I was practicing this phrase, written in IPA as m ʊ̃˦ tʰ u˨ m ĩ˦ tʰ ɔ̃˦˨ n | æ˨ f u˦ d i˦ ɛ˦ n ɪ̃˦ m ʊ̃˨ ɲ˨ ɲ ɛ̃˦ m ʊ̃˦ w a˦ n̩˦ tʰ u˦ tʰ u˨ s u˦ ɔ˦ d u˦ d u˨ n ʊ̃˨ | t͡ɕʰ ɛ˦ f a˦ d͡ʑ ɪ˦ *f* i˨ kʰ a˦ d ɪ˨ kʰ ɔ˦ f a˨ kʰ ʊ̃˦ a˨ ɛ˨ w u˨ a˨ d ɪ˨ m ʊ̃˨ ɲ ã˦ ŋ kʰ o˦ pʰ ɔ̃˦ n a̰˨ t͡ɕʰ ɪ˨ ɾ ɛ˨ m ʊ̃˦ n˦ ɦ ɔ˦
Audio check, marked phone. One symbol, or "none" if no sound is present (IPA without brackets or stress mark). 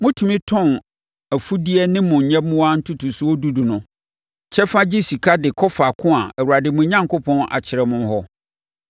s